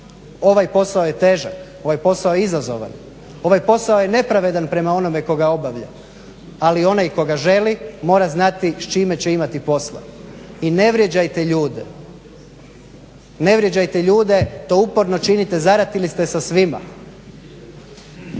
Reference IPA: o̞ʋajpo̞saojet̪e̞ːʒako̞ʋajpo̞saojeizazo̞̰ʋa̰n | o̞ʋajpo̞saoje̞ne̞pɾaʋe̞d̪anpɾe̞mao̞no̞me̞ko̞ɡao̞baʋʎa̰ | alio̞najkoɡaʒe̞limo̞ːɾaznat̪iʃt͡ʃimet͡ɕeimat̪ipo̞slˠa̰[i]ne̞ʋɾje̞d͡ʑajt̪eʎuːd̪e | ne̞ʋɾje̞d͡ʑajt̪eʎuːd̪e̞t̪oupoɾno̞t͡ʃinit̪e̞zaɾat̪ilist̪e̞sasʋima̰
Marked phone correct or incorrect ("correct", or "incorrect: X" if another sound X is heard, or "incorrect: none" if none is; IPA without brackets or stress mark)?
correct